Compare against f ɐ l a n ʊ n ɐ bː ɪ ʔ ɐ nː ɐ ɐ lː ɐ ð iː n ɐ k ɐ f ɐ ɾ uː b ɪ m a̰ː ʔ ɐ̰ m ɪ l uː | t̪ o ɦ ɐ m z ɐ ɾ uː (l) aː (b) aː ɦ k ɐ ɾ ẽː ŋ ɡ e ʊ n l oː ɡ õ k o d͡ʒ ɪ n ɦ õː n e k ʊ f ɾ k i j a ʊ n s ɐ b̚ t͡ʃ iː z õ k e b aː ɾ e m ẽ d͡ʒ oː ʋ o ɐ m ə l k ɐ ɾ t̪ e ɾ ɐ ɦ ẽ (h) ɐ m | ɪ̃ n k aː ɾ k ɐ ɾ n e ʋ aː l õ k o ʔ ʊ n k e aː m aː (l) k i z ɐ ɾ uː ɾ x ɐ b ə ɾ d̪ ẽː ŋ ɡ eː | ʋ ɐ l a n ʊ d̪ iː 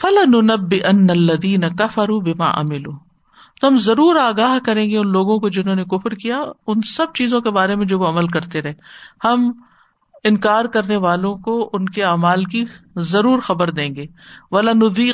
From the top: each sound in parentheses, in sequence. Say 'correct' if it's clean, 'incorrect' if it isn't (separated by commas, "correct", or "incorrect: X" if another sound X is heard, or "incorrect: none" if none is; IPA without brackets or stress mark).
incorrect: ɾ, incorrect: ɡ, correct, correct